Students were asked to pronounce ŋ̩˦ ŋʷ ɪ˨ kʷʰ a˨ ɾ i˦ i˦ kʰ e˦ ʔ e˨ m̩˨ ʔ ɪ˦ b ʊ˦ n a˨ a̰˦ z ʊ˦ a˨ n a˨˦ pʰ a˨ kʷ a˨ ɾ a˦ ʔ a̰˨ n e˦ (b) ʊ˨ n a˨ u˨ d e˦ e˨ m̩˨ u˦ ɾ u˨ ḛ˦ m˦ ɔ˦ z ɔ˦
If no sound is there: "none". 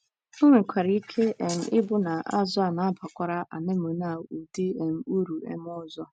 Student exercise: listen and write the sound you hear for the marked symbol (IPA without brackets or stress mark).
m